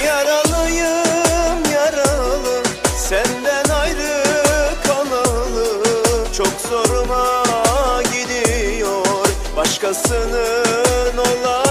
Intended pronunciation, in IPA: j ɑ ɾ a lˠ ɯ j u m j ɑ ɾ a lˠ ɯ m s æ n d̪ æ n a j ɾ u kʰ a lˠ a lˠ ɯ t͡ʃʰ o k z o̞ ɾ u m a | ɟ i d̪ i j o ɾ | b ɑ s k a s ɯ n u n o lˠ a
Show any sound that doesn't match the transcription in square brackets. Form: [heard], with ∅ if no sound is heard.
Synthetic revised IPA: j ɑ ɾ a lˠ ɯ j [ɯ] m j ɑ ɾ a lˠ ɯ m s æ n d̪ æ n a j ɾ [ɯ] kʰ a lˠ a lˠ ɯ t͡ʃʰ o k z o̞ ɾ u m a | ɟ i d̪ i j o ɾ | b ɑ [ʃ] k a s ɯ n [ɯ] n o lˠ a